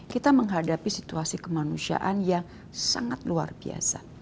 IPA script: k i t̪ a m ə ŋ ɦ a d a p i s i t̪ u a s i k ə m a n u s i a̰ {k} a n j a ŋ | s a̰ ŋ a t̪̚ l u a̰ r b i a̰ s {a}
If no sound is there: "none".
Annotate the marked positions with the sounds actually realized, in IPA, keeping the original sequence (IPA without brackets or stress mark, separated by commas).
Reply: ʔ, a